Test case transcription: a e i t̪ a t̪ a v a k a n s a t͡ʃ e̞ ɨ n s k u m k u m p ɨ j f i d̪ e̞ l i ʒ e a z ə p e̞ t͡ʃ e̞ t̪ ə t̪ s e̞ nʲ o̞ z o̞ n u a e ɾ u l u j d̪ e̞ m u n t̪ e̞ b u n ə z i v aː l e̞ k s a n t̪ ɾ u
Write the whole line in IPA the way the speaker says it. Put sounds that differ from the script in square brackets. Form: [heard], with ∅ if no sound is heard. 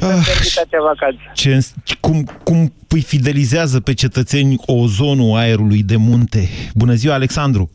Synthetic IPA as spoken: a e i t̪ a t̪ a v a k a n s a t͡ʃ e̞ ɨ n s k u m k u m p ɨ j f i d̪ e̞ l i [z] e a z ə p e̞ t͡ʃ e̞ t̪ ə t̪ s e̞ nʲ o̞ z o̞ n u a e ɾ u l u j d̪ e̞ m u n t̪ e̞ b u n ə z i [w] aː l e̞ k s a n [d̪] ɾ u